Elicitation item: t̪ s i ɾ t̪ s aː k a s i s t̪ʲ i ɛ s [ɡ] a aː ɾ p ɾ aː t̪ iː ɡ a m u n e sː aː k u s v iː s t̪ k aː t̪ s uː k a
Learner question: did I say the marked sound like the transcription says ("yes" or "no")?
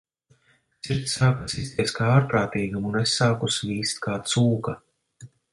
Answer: no